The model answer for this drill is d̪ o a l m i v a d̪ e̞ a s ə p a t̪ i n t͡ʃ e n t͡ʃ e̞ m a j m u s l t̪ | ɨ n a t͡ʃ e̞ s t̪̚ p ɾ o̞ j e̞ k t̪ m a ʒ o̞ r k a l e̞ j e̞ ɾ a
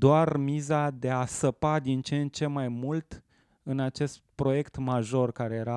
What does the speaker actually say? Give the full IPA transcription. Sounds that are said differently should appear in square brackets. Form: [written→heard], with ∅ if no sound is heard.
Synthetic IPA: d̪ o a [l→r] m i [v→z] a d̪ e̞ a s ə p a [t̪→d̪] i n t͡ʃ e n t͡ʃ e̞ m a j m u [s→∅] l t̪ | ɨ n a t͡ʃ e̞ s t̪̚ p ɾ o̞ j e̞ k t̪ m a ʒ o̞ r k a [l→ɾ] e̞ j e̞ ɾ a